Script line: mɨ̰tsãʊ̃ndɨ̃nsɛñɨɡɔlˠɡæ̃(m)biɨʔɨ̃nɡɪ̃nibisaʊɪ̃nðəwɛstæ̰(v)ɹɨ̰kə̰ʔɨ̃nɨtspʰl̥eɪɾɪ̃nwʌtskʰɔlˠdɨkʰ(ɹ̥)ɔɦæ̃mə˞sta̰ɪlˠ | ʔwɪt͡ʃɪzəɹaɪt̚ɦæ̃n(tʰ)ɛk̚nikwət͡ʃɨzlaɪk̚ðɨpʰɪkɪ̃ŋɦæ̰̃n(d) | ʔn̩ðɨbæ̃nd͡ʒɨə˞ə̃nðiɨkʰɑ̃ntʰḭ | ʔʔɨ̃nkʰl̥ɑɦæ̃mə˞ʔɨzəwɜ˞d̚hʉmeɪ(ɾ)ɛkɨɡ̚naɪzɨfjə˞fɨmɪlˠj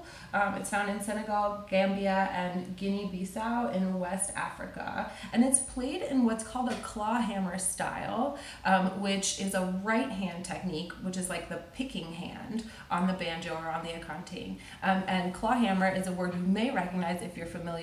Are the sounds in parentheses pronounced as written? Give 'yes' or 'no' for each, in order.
yes, no, no, yes, yes, no

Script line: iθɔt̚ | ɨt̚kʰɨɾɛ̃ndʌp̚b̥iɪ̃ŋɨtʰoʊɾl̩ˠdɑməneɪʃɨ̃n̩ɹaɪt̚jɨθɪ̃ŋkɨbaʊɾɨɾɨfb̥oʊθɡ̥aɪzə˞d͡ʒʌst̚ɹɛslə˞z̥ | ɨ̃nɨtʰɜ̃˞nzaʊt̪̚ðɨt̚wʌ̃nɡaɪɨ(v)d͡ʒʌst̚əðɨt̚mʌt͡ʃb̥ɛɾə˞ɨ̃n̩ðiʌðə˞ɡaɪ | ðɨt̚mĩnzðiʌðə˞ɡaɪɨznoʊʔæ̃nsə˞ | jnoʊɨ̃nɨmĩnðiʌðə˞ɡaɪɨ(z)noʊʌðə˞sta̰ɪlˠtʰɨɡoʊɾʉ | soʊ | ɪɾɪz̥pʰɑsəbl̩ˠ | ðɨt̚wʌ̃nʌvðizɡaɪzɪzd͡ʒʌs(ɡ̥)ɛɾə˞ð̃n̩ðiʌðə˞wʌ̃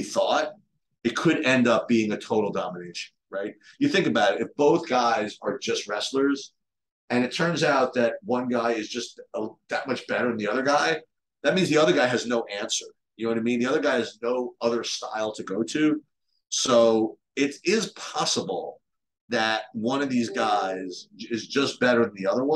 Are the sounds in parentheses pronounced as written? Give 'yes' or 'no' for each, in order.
no, yes, no

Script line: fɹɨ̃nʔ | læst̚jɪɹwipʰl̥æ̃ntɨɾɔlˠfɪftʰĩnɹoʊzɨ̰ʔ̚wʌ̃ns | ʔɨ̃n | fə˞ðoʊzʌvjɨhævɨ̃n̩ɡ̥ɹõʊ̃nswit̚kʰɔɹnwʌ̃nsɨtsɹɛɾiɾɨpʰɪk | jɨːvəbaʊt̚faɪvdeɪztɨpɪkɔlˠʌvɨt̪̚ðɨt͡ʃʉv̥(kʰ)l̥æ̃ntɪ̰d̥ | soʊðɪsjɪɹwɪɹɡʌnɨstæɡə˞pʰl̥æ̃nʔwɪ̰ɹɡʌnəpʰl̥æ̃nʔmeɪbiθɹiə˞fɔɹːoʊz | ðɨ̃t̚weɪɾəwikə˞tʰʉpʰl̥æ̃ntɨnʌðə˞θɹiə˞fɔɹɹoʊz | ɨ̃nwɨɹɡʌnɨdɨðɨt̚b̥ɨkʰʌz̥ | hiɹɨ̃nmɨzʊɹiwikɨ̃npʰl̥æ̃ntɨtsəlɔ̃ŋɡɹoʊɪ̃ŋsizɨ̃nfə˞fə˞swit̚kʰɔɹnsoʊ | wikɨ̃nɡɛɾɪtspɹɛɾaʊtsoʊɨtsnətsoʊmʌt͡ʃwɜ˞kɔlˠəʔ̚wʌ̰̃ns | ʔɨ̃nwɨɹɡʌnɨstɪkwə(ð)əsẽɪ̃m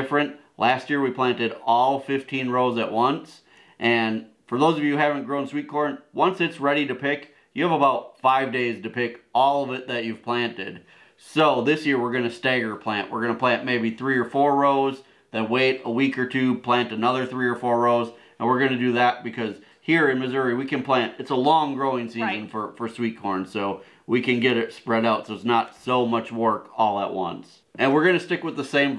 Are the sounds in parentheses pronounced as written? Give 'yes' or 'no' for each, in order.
no, yes

